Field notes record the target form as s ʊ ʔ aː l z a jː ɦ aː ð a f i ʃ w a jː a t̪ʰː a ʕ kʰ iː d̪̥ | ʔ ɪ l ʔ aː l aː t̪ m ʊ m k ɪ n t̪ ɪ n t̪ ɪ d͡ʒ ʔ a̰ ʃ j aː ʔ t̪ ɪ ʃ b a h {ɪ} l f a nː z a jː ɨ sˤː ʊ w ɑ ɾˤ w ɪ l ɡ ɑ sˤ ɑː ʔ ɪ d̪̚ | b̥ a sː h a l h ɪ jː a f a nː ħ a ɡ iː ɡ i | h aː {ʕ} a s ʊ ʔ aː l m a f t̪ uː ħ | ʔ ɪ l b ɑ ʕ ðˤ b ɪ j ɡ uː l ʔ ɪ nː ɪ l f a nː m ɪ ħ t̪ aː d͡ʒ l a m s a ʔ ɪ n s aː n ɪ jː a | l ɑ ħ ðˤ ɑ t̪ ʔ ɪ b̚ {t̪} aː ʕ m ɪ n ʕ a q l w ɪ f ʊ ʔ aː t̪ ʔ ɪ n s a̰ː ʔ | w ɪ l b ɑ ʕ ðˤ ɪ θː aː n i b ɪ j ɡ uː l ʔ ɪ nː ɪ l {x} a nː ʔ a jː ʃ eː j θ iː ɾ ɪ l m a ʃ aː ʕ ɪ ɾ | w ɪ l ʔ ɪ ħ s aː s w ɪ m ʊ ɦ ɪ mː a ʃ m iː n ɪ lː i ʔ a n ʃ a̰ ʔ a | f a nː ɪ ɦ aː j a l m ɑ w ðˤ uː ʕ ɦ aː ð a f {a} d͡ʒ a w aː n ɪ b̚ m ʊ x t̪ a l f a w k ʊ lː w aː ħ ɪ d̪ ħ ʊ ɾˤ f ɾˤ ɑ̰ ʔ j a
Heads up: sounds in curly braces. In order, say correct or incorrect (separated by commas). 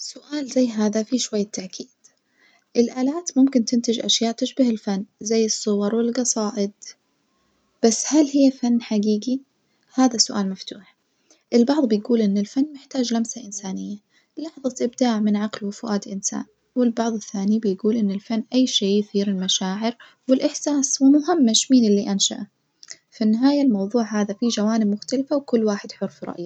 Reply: correct, incorrect, incorrect, incorrect, incorrect